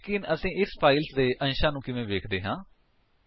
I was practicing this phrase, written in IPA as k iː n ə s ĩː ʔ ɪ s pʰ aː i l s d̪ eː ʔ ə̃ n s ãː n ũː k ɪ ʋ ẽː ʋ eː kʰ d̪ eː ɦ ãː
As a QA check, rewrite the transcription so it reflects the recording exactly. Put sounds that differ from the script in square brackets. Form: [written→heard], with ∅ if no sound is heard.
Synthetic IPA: k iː n ə s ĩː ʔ ɪ s pʰ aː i l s d̪ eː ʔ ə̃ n [s→ʃ] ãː n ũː k ɪ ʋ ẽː ʋ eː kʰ d̪ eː ɦ ãː